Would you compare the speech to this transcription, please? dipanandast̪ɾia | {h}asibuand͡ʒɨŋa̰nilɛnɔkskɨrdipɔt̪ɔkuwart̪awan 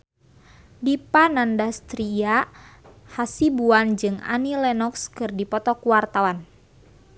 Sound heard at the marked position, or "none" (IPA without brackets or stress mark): h